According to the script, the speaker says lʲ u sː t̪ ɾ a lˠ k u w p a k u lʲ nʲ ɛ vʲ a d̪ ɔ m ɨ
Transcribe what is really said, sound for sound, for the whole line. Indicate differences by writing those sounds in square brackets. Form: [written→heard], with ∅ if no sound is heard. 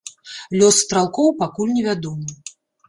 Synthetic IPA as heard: lʲ [u→ɔ] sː t̪ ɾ a lˠ k [u→ɔ] w p a k u lʲ nʲ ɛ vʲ a d̪ ɔ m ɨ